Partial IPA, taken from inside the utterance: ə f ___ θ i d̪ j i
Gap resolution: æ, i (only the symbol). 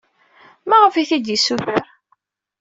i